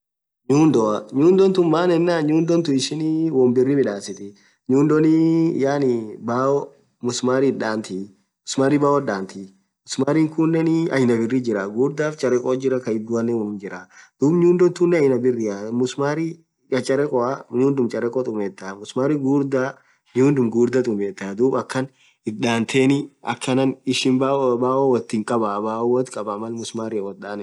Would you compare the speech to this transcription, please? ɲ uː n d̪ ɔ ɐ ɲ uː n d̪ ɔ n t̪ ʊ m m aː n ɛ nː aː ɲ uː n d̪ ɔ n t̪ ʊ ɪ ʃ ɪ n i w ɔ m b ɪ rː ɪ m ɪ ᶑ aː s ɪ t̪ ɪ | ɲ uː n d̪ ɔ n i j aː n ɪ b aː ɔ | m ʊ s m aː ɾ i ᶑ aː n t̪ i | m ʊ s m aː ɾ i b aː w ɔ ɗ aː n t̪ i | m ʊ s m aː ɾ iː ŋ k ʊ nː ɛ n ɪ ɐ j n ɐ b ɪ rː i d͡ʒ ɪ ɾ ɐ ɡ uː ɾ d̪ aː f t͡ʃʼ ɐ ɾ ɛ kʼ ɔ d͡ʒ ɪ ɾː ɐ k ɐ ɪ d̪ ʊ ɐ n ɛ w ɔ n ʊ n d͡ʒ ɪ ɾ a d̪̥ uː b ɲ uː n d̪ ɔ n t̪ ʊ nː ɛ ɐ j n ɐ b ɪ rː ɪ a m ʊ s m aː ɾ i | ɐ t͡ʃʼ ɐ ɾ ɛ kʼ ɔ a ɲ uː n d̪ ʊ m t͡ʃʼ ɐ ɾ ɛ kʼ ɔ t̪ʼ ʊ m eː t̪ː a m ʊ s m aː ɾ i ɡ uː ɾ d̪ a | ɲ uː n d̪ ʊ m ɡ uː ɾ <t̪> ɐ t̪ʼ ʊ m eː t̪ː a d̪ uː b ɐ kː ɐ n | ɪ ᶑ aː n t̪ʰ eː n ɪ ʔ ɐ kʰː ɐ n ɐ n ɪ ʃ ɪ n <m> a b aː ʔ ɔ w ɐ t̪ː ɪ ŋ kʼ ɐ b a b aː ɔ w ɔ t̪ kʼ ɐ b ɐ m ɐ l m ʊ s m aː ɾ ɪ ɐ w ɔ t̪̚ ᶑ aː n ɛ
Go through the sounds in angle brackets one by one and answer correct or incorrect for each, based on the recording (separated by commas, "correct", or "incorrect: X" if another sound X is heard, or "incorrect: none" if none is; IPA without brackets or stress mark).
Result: incorrect: d̪, incorrect: b